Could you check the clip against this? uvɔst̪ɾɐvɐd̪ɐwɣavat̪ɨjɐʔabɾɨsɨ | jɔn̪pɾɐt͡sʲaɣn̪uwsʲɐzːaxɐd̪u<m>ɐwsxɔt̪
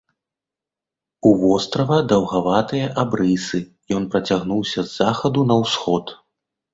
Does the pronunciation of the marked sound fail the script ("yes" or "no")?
yes